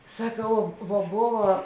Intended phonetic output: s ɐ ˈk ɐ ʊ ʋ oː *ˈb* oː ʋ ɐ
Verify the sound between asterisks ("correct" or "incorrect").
correct